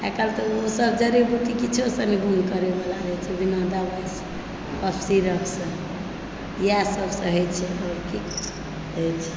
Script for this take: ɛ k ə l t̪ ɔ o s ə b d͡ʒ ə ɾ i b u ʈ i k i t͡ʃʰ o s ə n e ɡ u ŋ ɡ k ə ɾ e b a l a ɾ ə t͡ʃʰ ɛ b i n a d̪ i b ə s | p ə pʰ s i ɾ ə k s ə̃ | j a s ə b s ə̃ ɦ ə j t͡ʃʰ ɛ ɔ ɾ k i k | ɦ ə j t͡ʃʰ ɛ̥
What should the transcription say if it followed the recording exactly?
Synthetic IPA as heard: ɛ k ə l t̪ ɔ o s ə b d͡ʒ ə ɾ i b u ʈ i k i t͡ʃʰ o s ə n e ɡ u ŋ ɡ k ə ɾ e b a l a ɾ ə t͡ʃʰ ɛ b i n a d̪ a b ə s | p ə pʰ s i ɾ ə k s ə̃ | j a s ə b s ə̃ ɦ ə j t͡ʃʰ ɛ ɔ ɾ k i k | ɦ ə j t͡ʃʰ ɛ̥